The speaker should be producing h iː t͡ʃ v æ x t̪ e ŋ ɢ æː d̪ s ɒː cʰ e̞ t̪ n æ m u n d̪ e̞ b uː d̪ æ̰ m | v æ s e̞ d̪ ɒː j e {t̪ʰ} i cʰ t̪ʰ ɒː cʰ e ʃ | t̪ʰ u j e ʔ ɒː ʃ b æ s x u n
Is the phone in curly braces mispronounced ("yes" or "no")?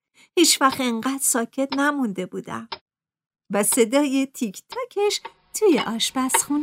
no